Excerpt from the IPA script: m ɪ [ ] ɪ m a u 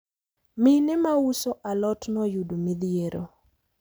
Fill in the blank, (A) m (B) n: B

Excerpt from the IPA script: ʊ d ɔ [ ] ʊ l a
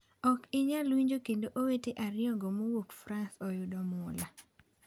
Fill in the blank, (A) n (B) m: B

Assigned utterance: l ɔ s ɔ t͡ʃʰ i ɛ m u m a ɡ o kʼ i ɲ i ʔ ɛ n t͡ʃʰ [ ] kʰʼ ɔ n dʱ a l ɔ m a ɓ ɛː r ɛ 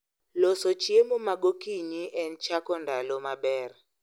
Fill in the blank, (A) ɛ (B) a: B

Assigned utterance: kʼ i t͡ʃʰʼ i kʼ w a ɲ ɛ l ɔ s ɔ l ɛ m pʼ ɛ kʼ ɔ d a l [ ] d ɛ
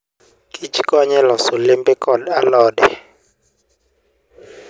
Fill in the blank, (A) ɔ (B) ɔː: B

